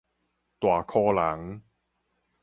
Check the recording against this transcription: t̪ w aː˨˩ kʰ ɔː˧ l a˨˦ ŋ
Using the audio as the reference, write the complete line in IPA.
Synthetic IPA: t̪ w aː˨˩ kʰ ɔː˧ l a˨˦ ŋ